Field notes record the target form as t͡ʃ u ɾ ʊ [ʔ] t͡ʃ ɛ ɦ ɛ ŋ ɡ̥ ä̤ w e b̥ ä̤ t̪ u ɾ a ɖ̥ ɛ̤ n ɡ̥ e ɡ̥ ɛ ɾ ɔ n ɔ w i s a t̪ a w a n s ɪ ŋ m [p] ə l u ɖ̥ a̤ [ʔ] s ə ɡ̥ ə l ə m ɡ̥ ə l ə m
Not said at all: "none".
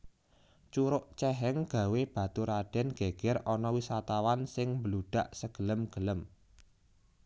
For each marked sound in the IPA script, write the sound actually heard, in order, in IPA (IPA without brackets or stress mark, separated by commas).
ʔ, b, ʔ